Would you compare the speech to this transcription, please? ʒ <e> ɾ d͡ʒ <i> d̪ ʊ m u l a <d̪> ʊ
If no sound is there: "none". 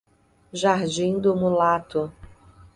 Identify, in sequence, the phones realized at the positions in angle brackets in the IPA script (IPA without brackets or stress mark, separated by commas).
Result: a, ĩ, t̪